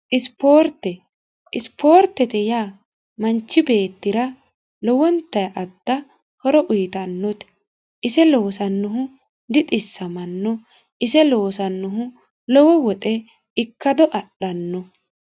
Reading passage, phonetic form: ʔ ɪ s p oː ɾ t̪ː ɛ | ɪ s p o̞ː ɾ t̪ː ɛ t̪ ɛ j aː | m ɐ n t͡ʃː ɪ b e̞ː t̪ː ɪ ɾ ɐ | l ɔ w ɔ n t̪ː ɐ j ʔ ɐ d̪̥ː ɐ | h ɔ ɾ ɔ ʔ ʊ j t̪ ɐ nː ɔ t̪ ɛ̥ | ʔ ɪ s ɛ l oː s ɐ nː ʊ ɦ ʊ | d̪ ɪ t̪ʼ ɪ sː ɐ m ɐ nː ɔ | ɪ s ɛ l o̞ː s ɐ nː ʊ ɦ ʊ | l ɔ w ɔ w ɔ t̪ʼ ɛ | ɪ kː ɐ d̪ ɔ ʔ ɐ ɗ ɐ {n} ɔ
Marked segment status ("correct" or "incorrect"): incorrect